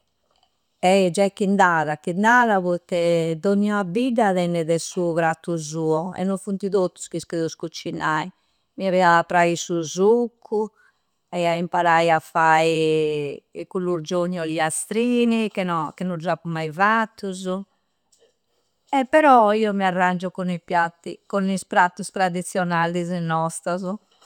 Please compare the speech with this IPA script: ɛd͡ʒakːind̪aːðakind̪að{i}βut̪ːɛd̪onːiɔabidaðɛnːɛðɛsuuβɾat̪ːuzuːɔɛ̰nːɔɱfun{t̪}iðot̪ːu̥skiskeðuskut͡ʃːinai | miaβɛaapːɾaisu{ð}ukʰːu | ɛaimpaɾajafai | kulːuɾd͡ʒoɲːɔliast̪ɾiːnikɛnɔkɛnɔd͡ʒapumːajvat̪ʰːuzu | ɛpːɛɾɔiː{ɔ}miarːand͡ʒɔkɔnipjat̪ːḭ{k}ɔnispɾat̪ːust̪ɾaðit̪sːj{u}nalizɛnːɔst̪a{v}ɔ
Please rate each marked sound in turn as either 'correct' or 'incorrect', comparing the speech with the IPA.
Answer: incorrect, correct, incorrect, correct, correct, incorrect, incorrect

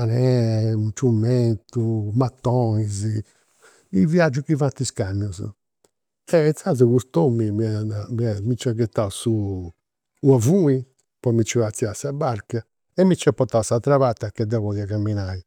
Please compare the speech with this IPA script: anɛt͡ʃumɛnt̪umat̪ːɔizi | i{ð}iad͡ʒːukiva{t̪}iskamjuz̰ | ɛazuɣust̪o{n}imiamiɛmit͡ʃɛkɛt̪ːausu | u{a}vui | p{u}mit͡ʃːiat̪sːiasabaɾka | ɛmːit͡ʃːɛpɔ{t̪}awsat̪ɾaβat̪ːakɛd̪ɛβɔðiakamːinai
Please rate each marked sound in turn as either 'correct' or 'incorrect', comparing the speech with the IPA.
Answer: incorrect, correct, incorrect, correct, incorrect, correct

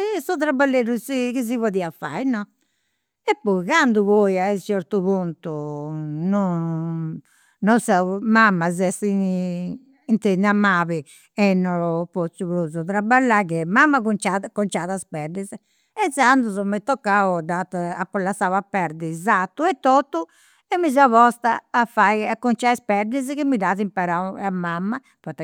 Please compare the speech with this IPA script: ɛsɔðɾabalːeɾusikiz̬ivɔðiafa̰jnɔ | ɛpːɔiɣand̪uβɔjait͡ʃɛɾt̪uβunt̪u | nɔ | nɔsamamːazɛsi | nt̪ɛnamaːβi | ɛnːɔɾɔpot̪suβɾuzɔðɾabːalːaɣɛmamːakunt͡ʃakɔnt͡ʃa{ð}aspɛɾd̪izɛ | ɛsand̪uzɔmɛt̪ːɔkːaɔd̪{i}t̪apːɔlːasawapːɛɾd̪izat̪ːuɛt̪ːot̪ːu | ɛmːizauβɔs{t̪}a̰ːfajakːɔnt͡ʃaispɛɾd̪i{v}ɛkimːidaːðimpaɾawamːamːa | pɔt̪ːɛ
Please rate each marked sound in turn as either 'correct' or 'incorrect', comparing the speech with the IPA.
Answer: correct, incorrect, correct, incorrect

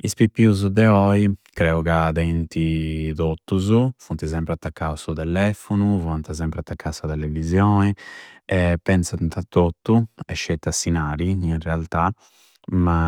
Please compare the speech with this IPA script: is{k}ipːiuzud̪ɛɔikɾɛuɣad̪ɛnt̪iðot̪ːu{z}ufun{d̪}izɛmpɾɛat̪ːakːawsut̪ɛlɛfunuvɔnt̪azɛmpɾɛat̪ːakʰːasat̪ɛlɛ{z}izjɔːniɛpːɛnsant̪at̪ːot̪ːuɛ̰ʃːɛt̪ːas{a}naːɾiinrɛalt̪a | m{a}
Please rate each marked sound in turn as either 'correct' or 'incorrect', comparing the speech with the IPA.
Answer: incorrect, correct, incorrect, incorrect, incorrect, correct

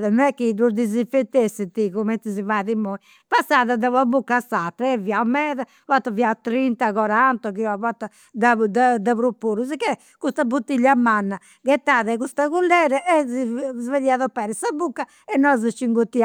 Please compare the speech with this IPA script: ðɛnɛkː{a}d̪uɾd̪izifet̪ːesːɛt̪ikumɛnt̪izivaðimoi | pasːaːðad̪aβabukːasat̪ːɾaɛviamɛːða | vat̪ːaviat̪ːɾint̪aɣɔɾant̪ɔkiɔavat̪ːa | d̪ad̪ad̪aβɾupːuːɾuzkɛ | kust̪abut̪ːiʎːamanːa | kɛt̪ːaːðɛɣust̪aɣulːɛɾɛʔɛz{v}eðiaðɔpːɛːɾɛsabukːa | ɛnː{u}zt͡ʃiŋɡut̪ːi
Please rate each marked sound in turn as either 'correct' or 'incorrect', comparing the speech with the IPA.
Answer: incorrect, correct, incorrect

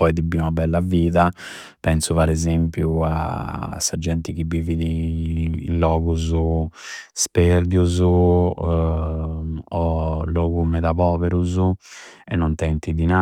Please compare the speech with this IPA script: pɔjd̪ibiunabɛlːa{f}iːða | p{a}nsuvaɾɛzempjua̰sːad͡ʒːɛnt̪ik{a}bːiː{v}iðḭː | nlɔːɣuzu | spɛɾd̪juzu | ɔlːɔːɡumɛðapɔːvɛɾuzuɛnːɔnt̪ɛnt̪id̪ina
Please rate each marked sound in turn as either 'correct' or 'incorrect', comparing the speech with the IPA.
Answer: incorrect, incorrect, incorrect, correct

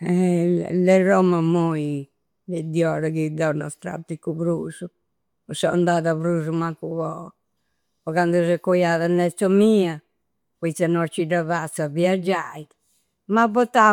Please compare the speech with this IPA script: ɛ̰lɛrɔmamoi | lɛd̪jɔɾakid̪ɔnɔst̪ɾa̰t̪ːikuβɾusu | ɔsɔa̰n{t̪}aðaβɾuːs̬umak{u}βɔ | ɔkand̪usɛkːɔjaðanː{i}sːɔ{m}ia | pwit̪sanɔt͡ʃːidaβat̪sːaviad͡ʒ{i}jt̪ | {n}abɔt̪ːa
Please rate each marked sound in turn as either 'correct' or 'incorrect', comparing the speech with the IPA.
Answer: incorrect, correct, incorrect, correct, incorrect, incorrect

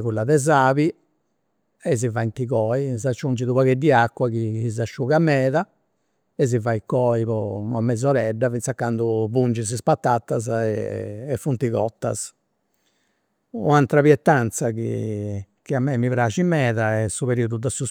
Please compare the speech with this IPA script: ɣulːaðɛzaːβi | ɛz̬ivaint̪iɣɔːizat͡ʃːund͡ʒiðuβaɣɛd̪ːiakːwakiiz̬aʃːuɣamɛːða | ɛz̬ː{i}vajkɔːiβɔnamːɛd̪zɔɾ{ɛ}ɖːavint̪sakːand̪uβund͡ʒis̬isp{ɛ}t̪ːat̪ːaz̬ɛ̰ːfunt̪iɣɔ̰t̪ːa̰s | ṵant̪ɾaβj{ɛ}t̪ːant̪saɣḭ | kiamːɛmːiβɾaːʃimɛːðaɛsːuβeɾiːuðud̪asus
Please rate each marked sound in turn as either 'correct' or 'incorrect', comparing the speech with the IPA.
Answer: correct, correct, incorrect, correct

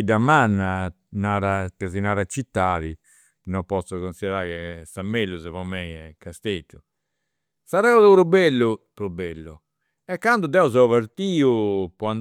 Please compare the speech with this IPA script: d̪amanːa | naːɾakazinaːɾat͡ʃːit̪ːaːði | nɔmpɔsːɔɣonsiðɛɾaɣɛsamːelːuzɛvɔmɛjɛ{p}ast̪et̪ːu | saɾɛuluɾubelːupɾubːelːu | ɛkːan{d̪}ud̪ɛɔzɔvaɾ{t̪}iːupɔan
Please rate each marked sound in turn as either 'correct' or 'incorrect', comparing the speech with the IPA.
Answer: incorrect, correct, correct

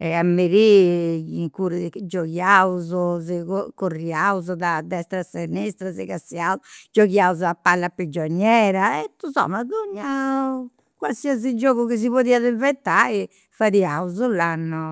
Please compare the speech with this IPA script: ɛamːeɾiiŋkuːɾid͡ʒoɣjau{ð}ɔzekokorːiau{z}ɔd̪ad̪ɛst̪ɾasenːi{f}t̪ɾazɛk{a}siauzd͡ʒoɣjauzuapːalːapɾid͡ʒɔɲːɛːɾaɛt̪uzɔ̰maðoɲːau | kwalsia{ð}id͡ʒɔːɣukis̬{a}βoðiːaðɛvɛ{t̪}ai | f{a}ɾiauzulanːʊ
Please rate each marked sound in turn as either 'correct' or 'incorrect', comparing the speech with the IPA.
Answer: incorrect, correct, incorrect, correct, incorrect, incorrect, correct, correct

